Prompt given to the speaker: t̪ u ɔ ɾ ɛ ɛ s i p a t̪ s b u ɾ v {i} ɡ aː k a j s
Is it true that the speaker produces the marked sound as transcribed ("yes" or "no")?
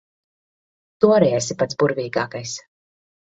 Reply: no